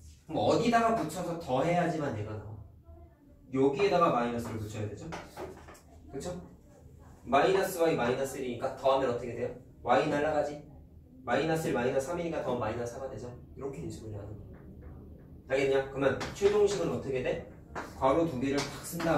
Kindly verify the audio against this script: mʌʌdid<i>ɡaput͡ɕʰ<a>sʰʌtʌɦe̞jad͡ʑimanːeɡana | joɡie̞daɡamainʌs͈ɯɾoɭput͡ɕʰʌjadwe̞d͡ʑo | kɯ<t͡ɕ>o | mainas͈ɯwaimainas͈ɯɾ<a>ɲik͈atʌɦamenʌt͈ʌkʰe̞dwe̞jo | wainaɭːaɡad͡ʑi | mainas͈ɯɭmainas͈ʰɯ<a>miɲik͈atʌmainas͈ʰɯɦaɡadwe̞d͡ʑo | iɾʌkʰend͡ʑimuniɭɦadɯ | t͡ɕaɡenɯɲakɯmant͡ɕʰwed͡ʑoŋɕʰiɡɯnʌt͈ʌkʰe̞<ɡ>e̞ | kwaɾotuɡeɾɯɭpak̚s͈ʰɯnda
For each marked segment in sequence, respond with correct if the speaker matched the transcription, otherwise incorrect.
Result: incorrect: a, incorrect: ʌ, incorrect: t͡ɕʰ, incorrect: i, correct, incorrect: d

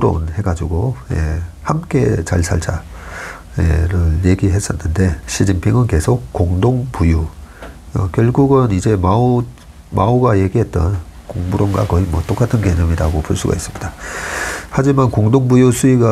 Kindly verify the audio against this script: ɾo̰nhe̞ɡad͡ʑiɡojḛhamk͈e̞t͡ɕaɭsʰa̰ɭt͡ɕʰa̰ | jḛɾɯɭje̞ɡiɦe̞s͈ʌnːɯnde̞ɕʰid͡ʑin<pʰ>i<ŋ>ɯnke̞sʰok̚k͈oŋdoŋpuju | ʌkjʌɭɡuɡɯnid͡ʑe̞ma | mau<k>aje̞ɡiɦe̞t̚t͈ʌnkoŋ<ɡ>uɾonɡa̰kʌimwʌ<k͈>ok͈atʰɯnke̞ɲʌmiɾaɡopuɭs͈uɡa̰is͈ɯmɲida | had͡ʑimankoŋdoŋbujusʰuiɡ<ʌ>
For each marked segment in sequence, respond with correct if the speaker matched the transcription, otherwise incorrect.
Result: correct, correct, incorrect: ɡ, incorrect: b, incorrect: t͈, incorrect: a

